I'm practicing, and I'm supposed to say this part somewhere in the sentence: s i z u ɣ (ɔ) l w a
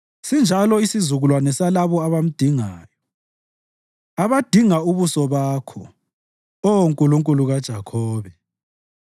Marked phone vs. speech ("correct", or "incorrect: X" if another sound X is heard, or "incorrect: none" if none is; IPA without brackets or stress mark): incorrect: u